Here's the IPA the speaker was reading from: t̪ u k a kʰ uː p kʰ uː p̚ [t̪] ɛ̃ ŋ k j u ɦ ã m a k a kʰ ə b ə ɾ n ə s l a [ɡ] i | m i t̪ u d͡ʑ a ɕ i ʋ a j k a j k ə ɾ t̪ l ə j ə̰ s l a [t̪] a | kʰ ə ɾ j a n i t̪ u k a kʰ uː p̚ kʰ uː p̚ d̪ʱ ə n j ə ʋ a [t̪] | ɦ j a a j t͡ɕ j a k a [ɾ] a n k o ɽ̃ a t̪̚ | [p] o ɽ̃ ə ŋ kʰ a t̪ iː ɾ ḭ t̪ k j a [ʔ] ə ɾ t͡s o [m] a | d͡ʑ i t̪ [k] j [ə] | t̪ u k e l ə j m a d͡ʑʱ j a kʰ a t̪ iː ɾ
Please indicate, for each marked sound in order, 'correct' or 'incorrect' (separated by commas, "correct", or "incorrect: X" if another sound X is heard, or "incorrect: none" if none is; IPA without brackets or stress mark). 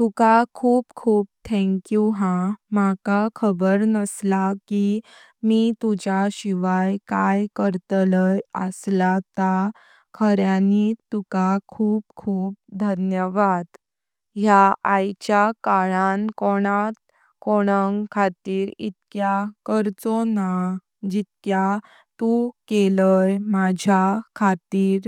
incorrect: t̪ʰ, incorrect: k, correct, incorrect: d̪, incorrect: ɭ, incorrect: k, incorrect: k, incorrect: n, correct, incorrect: a